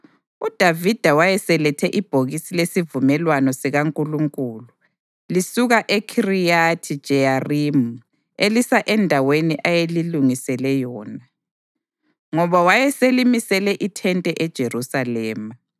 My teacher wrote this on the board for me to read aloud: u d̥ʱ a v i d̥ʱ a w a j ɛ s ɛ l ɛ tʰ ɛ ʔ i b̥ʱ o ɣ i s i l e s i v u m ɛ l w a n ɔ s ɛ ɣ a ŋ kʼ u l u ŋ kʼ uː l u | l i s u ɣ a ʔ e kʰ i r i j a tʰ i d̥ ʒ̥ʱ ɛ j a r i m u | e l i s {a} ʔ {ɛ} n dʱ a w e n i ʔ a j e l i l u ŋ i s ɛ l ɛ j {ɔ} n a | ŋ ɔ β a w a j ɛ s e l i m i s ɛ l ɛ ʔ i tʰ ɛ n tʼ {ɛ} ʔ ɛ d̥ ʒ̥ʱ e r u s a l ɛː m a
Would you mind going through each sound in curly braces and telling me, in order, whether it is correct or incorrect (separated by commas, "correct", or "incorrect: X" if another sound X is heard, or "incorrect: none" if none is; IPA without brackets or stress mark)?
correct, correct, incorrect: ɔː, correct